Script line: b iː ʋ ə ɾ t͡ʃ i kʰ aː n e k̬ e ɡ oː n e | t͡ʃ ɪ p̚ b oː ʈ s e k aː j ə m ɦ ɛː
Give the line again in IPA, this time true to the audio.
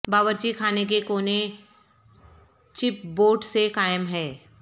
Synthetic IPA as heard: b aː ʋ ə ɾ t͡ʃ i kʰ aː n e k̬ e k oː n e | t͡ʃ ɪ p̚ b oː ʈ s e k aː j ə m ɦ ɛː